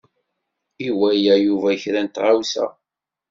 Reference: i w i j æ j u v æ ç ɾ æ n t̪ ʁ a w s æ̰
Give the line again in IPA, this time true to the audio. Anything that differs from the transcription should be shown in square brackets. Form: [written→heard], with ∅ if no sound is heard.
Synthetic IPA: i w [i→æ] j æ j u v æ ç ɾ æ n t̪ ʁ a w s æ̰